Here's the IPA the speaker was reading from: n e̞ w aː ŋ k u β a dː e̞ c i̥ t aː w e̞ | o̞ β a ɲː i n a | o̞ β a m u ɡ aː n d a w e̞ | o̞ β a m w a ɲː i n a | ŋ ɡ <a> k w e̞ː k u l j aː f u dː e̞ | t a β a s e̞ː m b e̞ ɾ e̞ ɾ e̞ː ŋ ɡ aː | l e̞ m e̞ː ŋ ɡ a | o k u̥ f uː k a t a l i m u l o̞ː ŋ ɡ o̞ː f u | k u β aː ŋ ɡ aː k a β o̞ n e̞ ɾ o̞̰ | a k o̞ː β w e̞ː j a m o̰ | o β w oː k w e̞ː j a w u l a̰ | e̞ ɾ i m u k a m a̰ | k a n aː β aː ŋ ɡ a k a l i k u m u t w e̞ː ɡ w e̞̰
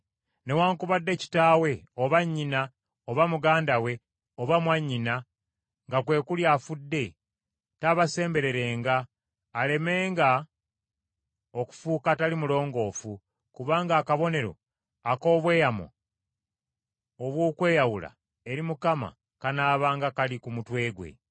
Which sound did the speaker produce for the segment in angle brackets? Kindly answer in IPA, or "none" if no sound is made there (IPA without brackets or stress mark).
a